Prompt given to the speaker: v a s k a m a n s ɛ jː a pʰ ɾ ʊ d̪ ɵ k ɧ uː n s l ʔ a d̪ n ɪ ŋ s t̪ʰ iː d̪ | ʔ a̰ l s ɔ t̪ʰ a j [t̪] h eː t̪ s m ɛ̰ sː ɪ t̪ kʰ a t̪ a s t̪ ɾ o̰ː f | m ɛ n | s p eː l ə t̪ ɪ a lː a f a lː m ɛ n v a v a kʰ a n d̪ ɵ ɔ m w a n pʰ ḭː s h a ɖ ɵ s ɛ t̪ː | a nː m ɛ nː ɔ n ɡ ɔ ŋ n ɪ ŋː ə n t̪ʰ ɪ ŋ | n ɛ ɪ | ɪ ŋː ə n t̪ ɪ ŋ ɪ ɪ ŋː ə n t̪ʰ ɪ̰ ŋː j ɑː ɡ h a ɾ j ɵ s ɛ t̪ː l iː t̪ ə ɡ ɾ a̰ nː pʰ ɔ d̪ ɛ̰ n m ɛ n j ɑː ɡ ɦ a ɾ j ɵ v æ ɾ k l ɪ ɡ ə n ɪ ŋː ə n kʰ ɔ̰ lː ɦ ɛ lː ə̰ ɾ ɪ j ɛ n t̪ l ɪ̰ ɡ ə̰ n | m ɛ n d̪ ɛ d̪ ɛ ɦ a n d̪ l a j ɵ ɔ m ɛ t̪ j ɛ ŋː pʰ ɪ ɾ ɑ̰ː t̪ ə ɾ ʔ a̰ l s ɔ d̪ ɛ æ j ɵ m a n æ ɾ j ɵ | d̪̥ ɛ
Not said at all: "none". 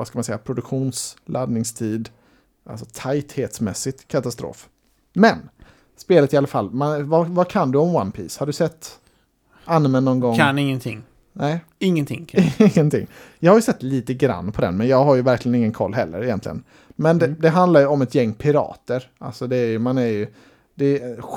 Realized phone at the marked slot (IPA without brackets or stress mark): t̪